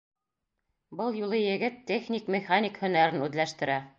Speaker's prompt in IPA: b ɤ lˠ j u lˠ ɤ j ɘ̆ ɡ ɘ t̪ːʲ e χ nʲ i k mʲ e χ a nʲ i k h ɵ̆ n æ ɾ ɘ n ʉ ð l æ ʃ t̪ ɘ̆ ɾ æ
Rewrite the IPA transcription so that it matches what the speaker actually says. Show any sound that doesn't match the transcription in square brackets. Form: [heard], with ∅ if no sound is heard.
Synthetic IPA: b ɤ lˠ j u lˠ ɤ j ɘ̆ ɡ ɘ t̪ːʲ e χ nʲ i k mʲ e χ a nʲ i k h ɵ̆ n æ ɾ ɘ n ʉ ð l æ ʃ t̪ ɘ̆ ɾ æ